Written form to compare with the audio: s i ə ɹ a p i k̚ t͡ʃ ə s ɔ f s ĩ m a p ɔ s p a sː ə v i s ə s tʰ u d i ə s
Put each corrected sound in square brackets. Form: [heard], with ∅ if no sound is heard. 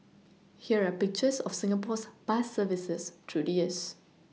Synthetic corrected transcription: [h] i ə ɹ a p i k̚ t͡ʃ ə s ɔ f s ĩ [ŋ] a p ɔ s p a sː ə v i s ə s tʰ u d i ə s